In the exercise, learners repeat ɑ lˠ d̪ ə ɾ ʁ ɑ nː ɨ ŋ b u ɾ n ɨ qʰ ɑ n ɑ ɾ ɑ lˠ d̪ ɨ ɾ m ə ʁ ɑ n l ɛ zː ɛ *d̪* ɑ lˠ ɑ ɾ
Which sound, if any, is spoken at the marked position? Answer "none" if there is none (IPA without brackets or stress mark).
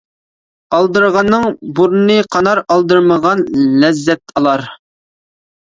t̪